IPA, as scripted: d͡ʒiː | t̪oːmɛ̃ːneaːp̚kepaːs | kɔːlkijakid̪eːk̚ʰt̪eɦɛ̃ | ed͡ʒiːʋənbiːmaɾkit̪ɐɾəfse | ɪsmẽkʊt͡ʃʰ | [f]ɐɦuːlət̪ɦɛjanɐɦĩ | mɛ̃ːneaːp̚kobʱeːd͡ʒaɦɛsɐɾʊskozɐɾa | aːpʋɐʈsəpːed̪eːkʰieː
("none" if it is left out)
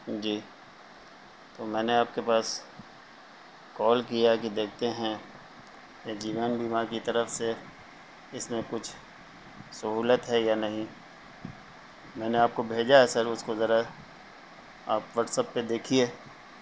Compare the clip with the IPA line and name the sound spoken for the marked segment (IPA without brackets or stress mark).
s